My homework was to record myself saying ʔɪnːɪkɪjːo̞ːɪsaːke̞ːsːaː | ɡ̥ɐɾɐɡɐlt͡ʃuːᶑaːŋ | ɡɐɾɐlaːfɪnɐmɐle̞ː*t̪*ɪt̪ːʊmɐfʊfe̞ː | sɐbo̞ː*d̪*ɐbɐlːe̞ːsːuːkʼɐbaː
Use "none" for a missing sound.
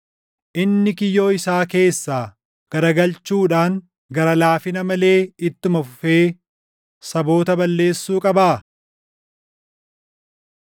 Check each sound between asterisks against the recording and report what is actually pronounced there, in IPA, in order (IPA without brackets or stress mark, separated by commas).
none, t̪